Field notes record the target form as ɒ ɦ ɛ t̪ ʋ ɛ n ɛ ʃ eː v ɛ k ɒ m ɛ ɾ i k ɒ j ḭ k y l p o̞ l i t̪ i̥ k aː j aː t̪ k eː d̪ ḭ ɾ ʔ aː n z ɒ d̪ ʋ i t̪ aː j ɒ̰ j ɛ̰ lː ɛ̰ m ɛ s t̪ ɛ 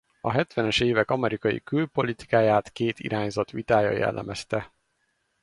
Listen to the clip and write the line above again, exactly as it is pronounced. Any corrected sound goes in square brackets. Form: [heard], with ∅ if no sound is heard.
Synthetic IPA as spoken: ɒ ɦ ɛ t̪ ʋ ɛ n ɛ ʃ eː v ɛ k ɒ m ɛ ɾ i k ɒ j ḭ k y l p o̞ l i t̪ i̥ k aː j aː t̪ k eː [t̪] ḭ ɾ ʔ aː [ɲ] z ɒ [t̪] ʋ i t̪ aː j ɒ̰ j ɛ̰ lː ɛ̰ m ɛ s t̪ ɛ

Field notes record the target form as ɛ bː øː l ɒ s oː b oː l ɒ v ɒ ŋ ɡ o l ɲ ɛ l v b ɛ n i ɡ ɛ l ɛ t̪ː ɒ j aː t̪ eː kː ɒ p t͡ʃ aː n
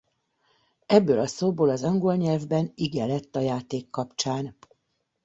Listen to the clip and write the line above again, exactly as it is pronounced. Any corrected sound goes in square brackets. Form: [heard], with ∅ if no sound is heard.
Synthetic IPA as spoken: ɛ bː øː l ɒ s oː b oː l ɒ [z] ɒ ŋ ɡ o l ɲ ɛ l v b ɛ n i ɡ ɛ l ɛ t̪ː ɒ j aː t̪ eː kː ɒ p t͡ʃ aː n

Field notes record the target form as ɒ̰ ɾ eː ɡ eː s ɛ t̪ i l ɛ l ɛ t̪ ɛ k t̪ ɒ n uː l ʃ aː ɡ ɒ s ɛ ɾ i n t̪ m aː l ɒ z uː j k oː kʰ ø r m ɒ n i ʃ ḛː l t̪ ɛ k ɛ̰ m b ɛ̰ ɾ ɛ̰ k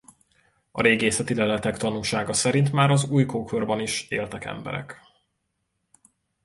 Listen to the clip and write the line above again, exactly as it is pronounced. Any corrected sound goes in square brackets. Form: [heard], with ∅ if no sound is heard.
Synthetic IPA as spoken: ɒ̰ ɾ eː ɡ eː s ɛ t̪ i l ɛ l ɛ t̪ ɛ k t̪ ɒ n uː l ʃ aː ɡ ɒ s ɛ ɾ i n t̪ m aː [ɾ] ɒ z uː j k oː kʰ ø r [b] ɒ n i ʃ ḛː l t̪ ɛ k ɛ̰ m b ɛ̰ ɾ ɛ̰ k

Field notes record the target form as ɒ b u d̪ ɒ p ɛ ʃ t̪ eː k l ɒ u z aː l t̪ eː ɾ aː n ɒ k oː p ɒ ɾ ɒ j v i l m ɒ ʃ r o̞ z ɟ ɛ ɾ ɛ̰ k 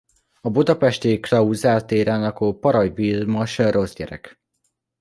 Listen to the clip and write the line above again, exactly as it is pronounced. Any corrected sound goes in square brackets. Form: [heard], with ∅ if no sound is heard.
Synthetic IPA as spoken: ɒ b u d̪ ɒ p ɛ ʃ t̪ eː k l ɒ u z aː l t̪ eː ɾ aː n ɒ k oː p ɒ ɾ ɒ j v i l m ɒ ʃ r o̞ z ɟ ɛ ɾ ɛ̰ k

